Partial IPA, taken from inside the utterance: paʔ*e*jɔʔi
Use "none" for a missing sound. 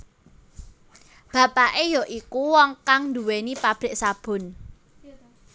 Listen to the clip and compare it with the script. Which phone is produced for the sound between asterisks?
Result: e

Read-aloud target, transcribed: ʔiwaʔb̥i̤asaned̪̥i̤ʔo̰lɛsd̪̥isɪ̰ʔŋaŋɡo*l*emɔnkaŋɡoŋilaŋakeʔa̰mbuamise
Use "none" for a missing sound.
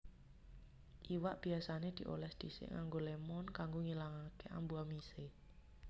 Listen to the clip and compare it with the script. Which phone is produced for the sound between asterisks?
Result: l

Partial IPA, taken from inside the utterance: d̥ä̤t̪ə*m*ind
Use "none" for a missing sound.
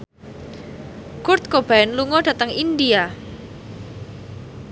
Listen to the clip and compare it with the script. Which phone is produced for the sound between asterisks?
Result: ŋ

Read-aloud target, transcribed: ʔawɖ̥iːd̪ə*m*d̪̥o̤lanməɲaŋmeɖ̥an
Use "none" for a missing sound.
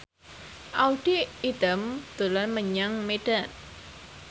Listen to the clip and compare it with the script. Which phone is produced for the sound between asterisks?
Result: m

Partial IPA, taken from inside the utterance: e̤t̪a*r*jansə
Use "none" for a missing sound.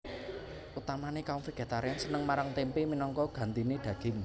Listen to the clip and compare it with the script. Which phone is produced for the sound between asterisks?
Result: ɾ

